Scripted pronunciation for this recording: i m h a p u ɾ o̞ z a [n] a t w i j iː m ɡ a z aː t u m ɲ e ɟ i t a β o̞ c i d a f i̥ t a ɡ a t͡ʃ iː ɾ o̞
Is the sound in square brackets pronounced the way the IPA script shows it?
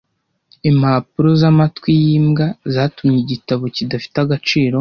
no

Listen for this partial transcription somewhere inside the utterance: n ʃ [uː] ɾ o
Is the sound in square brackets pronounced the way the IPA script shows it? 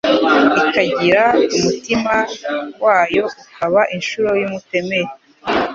no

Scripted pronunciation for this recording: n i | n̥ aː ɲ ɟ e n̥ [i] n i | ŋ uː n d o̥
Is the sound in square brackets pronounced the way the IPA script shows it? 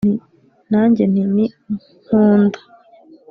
yes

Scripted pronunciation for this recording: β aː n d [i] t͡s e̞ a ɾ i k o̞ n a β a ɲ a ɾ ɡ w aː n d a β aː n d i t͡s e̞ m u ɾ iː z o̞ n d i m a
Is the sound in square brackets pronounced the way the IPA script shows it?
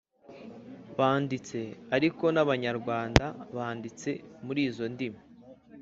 yes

